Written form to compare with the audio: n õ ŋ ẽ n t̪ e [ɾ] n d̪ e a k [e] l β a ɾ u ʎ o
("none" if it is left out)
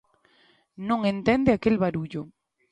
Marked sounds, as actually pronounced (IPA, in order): none, e

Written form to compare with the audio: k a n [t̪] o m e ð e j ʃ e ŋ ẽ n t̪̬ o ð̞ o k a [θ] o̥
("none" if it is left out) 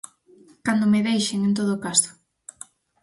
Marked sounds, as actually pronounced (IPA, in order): d̪, s

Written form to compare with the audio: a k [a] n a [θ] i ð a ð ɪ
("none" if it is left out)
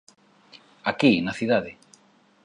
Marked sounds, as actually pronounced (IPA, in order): i, θ

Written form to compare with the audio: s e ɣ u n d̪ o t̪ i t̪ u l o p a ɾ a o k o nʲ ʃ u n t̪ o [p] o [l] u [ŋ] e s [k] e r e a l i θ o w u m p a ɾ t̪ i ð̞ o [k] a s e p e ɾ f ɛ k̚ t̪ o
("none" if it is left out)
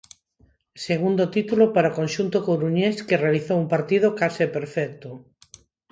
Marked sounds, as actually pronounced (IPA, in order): k, ɾ, ɲ, k, k

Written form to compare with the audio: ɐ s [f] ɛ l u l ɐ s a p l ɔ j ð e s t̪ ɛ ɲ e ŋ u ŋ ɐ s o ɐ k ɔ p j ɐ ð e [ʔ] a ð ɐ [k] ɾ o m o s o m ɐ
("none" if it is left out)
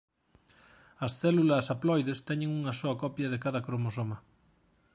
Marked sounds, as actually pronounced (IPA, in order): θ, k, k

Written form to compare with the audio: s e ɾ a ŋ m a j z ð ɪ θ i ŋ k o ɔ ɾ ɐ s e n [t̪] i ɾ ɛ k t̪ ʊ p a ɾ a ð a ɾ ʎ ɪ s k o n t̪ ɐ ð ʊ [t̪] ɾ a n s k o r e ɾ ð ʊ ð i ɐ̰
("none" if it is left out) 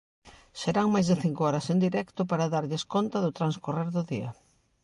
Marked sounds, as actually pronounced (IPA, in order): d̪, t̪

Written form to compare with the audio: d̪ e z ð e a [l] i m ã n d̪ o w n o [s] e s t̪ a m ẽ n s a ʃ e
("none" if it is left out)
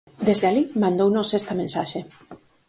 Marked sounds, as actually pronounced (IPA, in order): l, s

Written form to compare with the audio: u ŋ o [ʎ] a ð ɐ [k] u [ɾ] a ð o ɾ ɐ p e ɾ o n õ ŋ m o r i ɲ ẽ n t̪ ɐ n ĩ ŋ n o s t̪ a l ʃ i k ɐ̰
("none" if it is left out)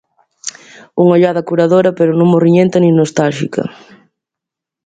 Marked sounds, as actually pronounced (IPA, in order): ʎ, k, ɾ

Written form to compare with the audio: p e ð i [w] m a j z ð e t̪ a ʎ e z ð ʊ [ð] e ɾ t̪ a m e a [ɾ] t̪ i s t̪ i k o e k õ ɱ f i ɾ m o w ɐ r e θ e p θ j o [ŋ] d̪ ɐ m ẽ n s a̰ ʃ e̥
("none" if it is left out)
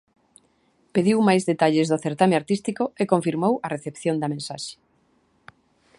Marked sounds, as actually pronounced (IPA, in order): w, θ, ɾ, n

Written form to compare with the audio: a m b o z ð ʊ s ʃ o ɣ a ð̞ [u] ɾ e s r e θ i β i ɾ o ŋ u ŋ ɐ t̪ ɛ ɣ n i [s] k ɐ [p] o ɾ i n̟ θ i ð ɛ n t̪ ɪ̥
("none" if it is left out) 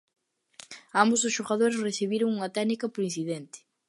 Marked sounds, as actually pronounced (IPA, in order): o, none, p

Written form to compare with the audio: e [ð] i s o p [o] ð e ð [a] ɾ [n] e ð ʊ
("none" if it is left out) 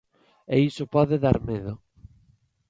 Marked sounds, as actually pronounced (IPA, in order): none, ɔ, a, m

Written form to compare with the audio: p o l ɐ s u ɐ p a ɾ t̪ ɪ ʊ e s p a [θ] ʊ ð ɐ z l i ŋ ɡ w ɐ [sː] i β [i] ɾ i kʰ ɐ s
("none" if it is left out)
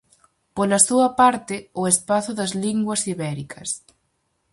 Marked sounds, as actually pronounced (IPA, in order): θ, s, ɛ

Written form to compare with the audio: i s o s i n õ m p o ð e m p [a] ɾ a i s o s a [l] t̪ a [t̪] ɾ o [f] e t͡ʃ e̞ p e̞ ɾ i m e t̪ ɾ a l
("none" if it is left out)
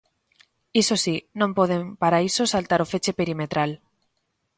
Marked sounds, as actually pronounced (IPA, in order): a, l, none, f

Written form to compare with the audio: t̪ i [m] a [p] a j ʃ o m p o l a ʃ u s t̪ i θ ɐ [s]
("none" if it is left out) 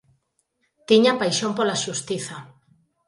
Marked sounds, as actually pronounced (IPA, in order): ɲ, p, none

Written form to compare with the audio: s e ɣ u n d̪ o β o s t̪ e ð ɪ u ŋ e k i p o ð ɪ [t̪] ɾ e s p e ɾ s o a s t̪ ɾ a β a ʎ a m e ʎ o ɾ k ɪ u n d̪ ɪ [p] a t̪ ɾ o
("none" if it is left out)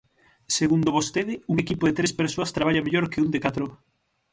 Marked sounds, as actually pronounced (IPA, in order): t̪, k

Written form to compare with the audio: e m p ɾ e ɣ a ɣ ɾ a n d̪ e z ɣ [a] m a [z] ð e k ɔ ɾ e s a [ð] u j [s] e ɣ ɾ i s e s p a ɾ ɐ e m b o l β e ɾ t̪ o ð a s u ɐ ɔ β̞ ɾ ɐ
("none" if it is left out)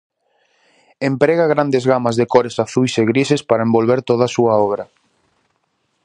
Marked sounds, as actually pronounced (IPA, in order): a, z, θ, s

